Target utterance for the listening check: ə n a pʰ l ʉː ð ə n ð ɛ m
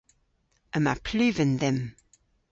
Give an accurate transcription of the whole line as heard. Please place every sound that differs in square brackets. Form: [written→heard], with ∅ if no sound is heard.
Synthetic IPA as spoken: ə [n→m] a pʰ l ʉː [ð→v] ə n ð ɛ m